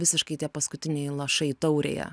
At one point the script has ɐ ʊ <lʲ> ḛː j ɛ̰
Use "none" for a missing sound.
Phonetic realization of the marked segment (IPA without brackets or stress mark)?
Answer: ɾʲ